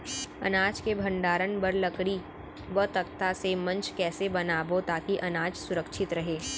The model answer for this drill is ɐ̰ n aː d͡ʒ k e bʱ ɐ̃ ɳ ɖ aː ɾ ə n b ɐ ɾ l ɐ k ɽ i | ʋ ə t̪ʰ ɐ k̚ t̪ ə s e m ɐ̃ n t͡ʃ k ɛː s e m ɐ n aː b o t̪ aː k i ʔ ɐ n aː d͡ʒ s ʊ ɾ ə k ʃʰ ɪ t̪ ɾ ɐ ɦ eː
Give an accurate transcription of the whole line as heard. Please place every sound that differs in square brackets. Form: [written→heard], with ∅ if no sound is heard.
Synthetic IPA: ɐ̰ n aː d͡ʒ k e bʱ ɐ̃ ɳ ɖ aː ɾ ə n b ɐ ɾ l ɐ k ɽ i | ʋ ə [t̪ʰ→t̪] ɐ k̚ t̪ [ə→a] s e m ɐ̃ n t͡ʃ k ɛː s e [m→b] ɐ n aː b o t̪ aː k i ʔ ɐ n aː d͡ʒ s ʊ ɾ ə k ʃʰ ɪ t̪ ɾ ɐ ɦ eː